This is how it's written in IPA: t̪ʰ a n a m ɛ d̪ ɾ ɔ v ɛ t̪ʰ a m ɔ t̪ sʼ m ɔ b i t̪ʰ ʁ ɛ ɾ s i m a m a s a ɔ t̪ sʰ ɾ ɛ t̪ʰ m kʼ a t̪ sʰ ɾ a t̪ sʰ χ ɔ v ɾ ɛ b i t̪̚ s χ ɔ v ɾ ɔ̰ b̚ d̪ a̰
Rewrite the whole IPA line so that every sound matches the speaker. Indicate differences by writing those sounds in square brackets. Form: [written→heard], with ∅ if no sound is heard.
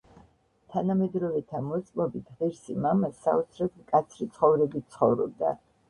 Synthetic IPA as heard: t̪ʰ a n a m ɛ d̪ ɾ ɔ v ɛ t̪ʰ a m ɔ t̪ sʼ m ɔ b i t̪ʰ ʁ ɛ ɾ s i m a m a s a ɔ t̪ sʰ ɾ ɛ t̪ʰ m kʼ a t̪ sʰ ɾ [a→i] t̪ sʰ χ ɔ v ɾ ɛ b i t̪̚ s χ ɔ v ɾ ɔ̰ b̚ d̪ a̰